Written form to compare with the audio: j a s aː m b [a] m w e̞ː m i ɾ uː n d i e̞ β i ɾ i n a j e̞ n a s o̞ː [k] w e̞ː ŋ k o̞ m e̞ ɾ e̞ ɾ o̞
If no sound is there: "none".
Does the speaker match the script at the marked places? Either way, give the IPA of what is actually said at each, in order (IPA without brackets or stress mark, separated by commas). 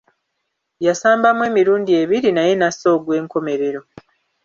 a, ɡ